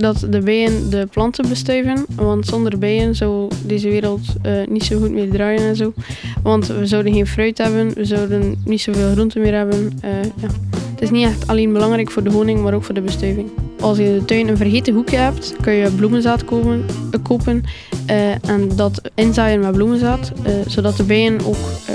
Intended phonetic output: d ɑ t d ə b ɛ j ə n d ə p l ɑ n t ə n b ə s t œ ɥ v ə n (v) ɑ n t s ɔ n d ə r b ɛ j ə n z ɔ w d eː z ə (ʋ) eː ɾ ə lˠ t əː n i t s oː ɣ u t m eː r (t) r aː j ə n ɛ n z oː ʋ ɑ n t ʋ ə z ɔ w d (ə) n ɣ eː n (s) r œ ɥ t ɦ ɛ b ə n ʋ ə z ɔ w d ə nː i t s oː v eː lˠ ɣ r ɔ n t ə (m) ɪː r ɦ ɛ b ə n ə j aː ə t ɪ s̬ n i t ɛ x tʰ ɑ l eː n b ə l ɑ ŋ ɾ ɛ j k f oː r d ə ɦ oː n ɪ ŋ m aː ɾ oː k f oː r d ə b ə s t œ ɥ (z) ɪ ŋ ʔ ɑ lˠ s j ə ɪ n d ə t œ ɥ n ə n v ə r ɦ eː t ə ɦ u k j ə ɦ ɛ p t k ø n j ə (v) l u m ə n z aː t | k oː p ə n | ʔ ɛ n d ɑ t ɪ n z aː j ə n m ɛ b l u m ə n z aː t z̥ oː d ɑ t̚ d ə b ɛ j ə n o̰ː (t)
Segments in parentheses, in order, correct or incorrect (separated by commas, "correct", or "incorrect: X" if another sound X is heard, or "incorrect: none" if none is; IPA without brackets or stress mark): incorrect: ʋ, correct, incorrect: d, correct, incorrect: f, correct, incorrect: v, incorrect: b, incorrect: k